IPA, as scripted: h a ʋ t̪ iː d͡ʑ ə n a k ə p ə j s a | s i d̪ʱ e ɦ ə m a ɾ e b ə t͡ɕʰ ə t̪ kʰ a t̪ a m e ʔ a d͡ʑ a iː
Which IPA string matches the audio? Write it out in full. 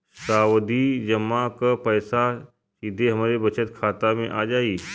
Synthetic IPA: s a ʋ d̪ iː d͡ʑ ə m a k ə p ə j s a | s i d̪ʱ e ɦ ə m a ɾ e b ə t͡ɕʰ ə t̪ kʰ a t̪ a m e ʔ a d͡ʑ a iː